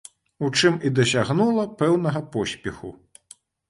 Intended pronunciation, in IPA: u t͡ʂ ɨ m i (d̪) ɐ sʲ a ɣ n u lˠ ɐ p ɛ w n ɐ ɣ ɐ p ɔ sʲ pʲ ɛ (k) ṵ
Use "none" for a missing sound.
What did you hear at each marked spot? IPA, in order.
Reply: d̪, x

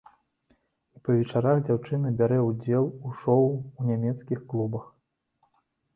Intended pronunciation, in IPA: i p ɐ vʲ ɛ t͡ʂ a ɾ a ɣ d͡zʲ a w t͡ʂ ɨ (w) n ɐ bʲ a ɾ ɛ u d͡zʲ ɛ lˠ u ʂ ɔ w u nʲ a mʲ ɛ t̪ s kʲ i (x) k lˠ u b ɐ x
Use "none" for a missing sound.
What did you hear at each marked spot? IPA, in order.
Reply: none, x

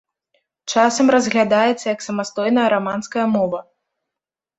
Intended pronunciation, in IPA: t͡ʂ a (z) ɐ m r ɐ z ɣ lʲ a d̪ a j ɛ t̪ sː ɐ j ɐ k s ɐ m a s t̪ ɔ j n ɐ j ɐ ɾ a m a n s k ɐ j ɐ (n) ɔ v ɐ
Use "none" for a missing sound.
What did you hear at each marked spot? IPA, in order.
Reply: s, m

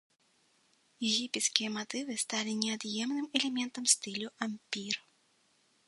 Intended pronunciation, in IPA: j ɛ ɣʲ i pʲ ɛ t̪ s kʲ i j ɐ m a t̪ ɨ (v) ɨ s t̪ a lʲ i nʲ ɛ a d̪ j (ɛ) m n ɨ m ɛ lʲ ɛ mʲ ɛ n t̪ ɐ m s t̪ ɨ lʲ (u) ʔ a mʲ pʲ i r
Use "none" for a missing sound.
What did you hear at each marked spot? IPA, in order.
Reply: v, ɛ, u

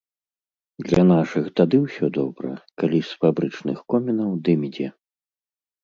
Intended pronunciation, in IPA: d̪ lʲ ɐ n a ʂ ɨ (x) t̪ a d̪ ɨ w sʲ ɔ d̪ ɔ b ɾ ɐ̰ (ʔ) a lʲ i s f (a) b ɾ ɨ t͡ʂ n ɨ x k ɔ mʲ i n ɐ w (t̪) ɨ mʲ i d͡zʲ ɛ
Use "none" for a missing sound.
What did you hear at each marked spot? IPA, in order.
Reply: x, k, a, d̪

